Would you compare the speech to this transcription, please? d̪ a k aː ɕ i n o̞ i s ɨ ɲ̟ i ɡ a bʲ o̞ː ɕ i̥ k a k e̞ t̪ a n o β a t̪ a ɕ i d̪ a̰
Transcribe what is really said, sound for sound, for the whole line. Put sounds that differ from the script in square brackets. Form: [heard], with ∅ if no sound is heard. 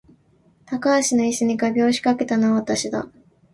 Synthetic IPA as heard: [t̪] a k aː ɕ i n o̞ i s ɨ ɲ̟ i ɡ a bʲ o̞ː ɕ i̥ k a k e̞ t̪ a n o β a t̪ a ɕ i d̪ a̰